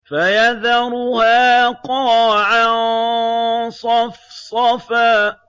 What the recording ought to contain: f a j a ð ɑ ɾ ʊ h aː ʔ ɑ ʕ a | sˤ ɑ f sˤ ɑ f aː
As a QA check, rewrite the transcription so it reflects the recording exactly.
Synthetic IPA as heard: f a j a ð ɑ ɾ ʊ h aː q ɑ ʕ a | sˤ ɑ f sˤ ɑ f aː